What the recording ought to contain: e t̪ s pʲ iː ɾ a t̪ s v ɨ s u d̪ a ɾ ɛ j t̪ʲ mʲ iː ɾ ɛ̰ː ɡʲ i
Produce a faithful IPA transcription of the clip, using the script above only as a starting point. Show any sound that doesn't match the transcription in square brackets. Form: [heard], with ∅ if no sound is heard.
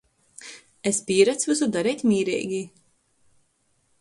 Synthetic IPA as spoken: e [∅] s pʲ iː ɾ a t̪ s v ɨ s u d̪ a ɾ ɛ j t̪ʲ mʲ iː ɾ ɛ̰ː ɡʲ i